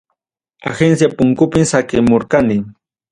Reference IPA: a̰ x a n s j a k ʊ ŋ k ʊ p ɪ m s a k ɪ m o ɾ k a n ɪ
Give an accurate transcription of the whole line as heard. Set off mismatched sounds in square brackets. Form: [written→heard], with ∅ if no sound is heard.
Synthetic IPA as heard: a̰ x [a→e] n s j a [k→p] ʊ ŋ k ʊ p ɪ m s a k ɪ m o ɾ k a n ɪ